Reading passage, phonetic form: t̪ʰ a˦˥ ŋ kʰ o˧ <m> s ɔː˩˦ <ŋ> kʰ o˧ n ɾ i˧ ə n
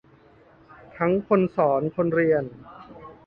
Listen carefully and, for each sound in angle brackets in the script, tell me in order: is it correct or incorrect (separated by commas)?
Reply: incorrect, incorrect